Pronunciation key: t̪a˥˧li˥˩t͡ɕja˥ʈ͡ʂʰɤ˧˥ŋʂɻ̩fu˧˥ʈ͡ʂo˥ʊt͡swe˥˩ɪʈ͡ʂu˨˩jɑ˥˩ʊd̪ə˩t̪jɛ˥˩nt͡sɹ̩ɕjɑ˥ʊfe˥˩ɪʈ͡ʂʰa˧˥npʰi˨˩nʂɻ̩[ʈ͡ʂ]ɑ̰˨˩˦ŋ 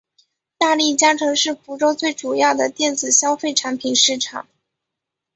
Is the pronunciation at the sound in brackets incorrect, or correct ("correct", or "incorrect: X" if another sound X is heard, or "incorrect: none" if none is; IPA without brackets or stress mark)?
incorrect: ʈ͡ʂʰ